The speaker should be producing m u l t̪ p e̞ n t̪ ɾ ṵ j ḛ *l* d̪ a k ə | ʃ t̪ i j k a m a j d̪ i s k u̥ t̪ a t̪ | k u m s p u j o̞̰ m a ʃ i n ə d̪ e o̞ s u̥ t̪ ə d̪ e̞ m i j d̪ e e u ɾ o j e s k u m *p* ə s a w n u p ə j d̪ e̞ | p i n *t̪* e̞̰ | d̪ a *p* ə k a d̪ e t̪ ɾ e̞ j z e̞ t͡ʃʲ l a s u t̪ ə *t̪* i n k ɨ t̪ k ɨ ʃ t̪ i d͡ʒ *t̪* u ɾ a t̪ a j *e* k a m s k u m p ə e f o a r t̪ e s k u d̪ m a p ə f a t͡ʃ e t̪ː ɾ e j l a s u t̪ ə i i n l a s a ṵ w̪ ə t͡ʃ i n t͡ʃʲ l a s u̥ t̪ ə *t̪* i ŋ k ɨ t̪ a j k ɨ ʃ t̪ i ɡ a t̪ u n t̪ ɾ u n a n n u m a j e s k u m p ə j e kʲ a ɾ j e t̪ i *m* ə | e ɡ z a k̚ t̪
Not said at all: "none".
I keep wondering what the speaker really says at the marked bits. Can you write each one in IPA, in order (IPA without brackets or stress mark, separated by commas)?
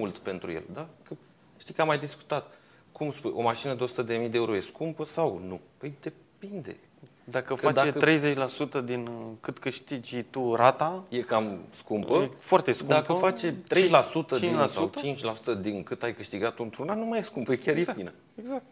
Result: l, p, d̪, k, d̪, t̪, e, d̪, n